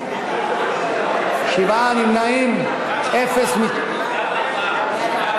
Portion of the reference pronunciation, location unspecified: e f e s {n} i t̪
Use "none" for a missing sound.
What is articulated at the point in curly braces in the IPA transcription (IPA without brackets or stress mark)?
m